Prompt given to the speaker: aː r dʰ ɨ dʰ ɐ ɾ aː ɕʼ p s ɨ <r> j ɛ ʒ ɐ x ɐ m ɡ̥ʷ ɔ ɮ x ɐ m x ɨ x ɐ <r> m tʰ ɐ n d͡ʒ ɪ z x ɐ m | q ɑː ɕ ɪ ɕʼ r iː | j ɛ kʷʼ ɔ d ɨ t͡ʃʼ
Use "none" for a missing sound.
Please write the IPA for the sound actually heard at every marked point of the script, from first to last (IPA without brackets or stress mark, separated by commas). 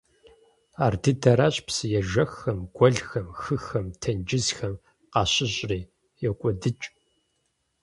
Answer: none, none